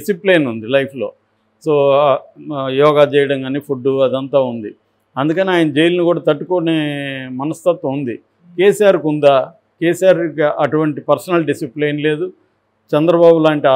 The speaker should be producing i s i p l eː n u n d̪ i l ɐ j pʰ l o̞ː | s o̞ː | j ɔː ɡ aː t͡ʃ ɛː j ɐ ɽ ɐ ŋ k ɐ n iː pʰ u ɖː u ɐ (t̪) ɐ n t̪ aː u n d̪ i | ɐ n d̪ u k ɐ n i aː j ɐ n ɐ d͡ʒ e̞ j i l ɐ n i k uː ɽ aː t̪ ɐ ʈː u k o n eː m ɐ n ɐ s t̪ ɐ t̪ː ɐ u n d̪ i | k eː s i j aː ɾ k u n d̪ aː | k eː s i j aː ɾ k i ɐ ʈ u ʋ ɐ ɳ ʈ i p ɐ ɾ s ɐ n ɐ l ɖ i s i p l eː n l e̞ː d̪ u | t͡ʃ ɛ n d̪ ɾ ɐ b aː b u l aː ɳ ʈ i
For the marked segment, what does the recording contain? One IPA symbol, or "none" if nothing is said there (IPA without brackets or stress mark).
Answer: d̪